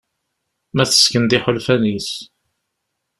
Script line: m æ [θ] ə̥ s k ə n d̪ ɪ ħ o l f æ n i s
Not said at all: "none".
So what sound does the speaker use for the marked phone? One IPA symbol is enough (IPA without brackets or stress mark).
θ